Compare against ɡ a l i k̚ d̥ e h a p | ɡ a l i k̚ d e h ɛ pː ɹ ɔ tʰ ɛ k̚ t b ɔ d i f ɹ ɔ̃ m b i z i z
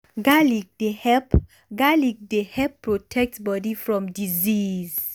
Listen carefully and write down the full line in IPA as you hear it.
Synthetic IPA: ɡ a l i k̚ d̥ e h ɛ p | ɡ a l i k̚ d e h ɛ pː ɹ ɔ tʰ ɛ k̚ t b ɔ d i f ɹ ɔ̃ m d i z i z